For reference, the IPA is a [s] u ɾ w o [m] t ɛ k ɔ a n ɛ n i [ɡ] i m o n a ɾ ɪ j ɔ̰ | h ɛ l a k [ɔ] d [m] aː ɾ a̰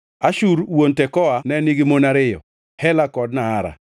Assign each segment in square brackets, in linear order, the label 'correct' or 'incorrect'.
incorrect, incorrect, correct, correct, incorrect

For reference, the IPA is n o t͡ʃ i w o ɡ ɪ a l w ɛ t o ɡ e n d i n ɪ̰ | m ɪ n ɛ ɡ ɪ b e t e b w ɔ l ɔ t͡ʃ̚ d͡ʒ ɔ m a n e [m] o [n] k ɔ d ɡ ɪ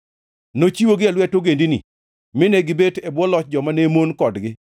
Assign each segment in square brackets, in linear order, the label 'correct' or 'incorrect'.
correct, correct

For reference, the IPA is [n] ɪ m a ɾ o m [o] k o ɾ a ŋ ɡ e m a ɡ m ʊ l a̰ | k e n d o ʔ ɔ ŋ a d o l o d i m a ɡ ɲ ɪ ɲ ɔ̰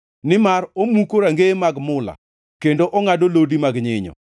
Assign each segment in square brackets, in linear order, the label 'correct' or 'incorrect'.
correct, incorrect

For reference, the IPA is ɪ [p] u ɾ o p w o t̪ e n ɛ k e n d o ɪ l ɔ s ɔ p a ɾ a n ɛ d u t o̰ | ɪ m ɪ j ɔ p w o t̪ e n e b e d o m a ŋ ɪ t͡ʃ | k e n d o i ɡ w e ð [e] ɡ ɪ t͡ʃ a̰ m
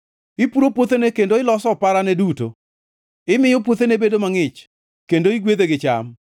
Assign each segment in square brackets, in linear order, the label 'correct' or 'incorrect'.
correct, correct

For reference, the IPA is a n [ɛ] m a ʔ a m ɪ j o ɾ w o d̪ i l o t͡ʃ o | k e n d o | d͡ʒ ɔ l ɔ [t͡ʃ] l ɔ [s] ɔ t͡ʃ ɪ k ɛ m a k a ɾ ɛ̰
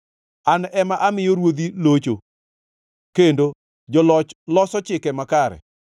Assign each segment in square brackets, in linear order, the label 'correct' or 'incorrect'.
correct, correct, correct

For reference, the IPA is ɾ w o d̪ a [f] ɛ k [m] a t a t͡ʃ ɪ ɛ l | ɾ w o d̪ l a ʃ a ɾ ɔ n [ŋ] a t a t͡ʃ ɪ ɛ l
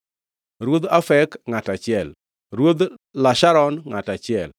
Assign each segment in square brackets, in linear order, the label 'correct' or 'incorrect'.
correct, incorrect, correct

